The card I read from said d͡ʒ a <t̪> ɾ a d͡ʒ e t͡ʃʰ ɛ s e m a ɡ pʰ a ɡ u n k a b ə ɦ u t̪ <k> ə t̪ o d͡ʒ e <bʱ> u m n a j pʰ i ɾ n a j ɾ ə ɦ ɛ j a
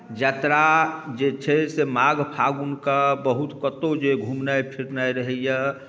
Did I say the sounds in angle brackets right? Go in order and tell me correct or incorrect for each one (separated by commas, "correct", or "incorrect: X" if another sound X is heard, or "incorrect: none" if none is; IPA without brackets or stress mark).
correct, correct, incorrect: ɡʱ